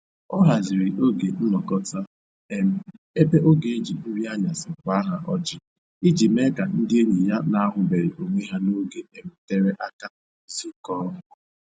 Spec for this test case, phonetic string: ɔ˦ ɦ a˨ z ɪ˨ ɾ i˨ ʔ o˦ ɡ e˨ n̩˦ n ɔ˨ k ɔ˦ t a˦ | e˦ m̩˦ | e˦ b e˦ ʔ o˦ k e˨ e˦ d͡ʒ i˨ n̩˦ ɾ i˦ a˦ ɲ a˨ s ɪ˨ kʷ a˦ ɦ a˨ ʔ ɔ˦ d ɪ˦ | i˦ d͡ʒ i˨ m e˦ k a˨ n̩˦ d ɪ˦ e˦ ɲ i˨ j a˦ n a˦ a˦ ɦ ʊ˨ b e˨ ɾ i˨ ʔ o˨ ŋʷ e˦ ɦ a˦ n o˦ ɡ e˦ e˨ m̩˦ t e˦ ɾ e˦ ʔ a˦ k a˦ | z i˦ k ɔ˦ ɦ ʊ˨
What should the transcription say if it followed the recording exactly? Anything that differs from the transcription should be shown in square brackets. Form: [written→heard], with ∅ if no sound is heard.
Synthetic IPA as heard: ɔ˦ ɦ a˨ z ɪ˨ ɾ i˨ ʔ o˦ ɡ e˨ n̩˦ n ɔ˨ k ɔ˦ t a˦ | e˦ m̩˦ | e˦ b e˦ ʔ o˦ [k→ɡ] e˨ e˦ d͡ʒ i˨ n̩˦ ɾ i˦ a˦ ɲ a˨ s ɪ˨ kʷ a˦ ɦ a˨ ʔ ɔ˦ [d→d͡ʒ] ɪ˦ | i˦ d͡ʒ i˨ m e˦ k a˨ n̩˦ d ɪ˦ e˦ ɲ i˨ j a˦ n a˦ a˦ ɦ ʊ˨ b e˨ ɾ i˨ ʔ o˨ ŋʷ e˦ ɦ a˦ n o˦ ɡ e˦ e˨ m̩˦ t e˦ ɾ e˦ ʔ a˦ k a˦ | z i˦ k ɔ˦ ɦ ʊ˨